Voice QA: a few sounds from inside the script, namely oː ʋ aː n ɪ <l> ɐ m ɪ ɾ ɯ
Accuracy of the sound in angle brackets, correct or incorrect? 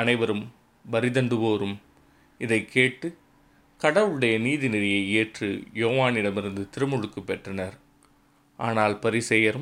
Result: incorrect